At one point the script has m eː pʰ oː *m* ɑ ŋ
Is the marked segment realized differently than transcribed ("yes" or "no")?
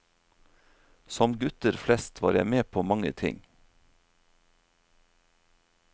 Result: no